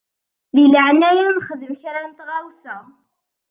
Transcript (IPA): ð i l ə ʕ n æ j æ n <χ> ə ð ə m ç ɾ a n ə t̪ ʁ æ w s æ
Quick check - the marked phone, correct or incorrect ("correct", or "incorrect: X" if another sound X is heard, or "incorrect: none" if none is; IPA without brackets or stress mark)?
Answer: correct